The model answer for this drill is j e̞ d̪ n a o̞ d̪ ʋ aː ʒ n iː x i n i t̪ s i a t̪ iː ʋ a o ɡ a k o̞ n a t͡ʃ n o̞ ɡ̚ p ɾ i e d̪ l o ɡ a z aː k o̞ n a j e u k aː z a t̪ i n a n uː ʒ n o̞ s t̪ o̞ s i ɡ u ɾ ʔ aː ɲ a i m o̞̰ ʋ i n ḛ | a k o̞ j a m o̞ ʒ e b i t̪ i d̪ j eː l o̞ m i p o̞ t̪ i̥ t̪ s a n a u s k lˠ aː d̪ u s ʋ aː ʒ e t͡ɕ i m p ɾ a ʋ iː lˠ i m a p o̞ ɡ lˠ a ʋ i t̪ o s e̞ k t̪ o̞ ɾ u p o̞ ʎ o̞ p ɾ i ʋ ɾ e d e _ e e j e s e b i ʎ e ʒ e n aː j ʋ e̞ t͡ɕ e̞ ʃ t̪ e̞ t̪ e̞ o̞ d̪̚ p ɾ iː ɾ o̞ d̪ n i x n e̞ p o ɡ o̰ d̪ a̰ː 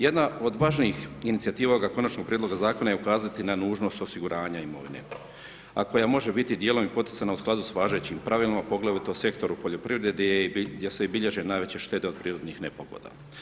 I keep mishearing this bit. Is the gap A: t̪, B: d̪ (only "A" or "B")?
B